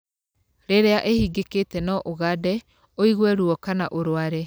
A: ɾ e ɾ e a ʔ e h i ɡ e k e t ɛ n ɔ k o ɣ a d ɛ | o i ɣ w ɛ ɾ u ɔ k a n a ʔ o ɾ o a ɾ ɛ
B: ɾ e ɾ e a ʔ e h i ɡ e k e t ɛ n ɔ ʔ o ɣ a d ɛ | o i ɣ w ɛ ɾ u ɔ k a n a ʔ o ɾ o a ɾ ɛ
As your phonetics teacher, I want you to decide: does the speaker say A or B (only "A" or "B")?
B